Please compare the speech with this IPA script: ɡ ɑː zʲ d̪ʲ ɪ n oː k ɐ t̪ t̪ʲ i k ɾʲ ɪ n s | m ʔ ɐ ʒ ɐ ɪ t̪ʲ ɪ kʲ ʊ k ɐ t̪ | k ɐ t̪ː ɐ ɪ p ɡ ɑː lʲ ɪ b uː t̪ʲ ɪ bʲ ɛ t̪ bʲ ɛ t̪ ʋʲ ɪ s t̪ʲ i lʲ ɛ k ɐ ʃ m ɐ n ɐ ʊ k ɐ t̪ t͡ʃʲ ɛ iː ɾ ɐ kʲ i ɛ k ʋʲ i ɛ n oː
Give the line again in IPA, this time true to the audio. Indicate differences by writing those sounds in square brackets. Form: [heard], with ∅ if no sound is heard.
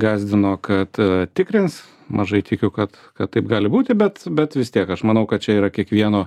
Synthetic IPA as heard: ɡ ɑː zʲ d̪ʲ ɪ n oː k ɐ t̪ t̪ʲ [ɪ] k ɾʲ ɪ n s | m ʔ ɐ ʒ ɐ ɪ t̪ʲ ɪ kʲ ʊ k ɐ t̪ | k ɐ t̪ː ɐ ɪ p ɡ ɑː lʲ ɪ b uː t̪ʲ ɪ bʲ ɛ t̪ bʲ ɛ t̪ ʋʲ ɪ s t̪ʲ i [∅] ɛ k ɐ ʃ m ɐ n ɐ ʊ k ɐ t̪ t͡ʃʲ ɛ iː ɾ ɐ kʲ i ɛ k ʋʲ i ɛ n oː